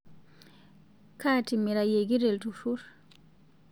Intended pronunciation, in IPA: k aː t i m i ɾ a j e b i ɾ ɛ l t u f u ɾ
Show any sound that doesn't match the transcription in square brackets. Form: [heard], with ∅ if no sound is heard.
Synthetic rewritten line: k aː t i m i ɾ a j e [ɡ] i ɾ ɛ l t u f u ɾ